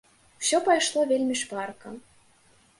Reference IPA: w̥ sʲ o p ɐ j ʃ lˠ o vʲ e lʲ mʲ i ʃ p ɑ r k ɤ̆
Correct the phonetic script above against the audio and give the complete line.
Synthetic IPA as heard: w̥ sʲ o p ɑ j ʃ lˠ o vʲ e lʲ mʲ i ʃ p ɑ r k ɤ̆